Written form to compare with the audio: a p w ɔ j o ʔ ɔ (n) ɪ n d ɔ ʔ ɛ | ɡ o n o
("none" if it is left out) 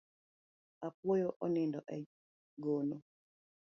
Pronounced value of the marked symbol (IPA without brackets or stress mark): n